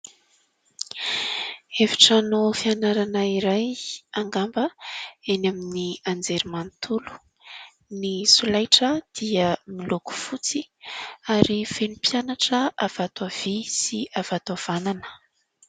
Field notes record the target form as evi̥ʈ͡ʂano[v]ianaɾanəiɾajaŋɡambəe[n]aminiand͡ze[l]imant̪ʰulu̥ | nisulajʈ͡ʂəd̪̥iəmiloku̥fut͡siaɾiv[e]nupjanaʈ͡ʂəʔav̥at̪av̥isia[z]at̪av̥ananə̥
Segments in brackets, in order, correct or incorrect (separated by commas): incorrect, correct, incorrect, correct, incorrect